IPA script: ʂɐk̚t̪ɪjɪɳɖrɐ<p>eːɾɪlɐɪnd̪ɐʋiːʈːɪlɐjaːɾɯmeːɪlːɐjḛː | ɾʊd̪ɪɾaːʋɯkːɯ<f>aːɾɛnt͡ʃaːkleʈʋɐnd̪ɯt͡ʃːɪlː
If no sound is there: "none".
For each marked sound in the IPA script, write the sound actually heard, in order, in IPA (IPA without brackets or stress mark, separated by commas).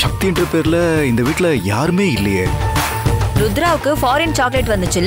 p, f